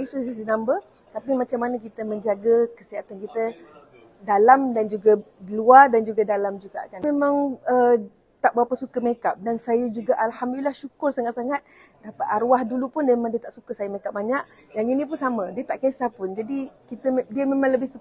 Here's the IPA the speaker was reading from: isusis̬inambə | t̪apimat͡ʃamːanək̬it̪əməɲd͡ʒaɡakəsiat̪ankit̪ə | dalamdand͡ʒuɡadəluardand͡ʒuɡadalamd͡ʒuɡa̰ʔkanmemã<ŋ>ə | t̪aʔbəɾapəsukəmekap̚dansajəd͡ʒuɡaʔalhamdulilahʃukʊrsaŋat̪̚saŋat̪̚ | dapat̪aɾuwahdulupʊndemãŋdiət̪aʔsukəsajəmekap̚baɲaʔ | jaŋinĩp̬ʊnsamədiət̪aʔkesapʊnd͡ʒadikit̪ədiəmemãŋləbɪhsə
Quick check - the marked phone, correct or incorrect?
correct